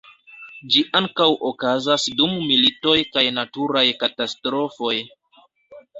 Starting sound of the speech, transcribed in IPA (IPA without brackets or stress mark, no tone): d͡ʒ